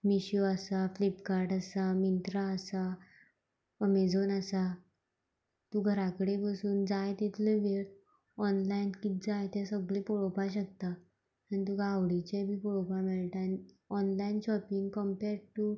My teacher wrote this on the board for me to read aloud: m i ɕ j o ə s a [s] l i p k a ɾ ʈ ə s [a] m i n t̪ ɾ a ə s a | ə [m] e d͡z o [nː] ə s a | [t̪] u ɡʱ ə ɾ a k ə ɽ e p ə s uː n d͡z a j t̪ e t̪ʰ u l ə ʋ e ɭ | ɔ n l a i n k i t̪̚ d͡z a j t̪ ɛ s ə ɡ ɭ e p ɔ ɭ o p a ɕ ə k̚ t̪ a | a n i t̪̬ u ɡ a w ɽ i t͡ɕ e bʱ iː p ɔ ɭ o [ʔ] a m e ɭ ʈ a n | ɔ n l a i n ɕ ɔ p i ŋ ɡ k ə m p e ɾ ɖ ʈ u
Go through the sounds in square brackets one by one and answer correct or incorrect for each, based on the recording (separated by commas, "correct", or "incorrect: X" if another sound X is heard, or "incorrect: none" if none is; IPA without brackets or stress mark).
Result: incorrect: f, correct, correct, incorrect: n, correct, incorrect: p